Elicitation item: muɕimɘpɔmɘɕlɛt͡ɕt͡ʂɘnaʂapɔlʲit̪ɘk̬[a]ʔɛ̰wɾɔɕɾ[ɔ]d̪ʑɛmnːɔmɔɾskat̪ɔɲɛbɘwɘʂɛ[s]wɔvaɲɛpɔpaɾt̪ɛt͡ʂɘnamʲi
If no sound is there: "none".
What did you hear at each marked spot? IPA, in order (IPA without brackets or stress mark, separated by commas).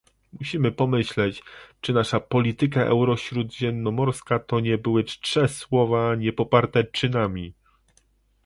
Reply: a, u, s